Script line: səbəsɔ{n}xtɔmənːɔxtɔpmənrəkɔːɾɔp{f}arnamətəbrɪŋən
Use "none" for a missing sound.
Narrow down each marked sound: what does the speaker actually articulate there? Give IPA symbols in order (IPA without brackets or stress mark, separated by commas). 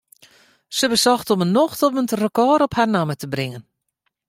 none, h